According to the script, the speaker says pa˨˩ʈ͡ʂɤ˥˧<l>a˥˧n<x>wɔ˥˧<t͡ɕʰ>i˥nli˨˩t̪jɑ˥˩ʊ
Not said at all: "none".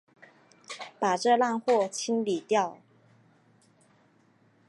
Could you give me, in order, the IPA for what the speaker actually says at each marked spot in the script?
l, x, t͡ɕʰ

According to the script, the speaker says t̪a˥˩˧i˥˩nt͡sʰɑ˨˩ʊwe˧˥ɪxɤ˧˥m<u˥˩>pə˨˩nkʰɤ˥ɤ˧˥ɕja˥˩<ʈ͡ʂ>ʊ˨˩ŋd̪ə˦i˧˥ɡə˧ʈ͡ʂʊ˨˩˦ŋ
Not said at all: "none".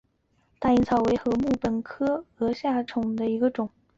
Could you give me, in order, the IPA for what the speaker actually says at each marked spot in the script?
u˥˩, ʈ͡ʂʰ

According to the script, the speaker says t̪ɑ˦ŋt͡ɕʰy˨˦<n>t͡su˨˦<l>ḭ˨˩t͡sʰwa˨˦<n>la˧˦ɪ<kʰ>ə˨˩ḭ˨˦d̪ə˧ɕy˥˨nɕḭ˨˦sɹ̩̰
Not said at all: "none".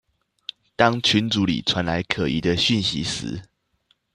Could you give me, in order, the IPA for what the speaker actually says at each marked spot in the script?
n, l, n, kʰ

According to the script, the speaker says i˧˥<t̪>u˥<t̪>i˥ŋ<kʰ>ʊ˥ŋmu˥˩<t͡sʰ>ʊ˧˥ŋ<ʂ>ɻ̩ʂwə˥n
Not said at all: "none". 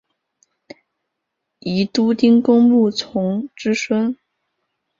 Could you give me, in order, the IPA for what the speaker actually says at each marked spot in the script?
t̪, t̪, k, t͡sʰ, ʈ͡ʂ

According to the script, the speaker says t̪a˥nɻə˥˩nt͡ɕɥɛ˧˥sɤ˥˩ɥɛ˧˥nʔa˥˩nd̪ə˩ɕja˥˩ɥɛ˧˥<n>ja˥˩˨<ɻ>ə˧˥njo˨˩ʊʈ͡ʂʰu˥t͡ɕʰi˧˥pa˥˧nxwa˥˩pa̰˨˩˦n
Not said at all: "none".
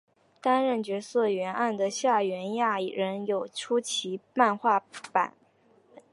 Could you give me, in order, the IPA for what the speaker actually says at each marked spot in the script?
n, ɻ

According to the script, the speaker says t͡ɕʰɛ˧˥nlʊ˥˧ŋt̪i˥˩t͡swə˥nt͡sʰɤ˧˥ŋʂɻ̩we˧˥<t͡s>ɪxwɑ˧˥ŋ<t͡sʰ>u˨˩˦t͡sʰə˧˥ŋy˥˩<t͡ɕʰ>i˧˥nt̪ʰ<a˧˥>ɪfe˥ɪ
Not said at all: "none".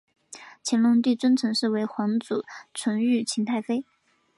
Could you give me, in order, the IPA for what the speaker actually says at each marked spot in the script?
none, t͡s, t͡ɕʰ, a˥˩

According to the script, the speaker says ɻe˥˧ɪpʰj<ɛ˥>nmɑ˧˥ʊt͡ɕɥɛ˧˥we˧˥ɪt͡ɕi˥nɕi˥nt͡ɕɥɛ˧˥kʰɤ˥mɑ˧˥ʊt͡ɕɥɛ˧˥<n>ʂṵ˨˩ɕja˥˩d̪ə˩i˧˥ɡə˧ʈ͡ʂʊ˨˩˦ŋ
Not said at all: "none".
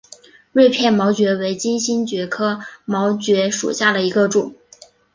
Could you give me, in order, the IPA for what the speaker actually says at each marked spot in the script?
ɛ˥˩, none

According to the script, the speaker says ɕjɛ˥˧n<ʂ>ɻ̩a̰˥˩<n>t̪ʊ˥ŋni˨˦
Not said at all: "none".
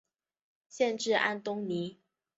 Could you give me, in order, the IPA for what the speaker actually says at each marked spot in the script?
ʈ͡ʂ, n

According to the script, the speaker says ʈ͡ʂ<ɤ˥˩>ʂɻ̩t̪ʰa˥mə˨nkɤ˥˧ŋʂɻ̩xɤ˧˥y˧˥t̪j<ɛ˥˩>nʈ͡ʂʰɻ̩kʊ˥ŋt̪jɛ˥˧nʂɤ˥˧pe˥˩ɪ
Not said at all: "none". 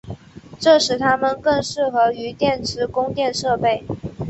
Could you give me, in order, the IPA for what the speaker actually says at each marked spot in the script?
ɤ˥˩, ɛ˥˩

